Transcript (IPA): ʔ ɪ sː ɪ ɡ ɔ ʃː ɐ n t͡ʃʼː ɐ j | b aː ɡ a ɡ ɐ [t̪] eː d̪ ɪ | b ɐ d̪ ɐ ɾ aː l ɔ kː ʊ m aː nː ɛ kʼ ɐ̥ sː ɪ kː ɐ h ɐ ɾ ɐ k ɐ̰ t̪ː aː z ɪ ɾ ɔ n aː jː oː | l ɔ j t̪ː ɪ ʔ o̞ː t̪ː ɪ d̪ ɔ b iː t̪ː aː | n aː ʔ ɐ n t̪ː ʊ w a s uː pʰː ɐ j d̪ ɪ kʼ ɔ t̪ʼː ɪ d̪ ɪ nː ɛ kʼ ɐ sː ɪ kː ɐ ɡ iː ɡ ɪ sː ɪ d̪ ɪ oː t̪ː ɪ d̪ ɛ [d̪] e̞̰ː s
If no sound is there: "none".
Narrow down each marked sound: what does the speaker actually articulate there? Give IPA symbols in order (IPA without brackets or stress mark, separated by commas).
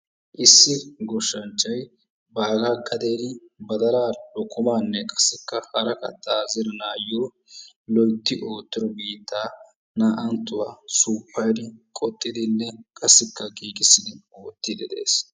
d̪, d̪